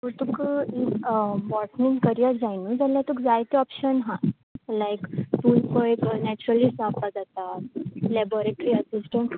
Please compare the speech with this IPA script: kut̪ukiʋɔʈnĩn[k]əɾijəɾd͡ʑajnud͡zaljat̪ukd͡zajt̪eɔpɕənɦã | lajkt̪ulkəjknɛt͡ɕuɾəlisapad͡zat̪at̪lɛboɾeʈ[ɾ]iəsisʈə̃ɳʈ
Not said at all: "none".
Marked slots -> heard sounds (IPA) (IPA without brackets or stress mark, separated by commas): k, ɾ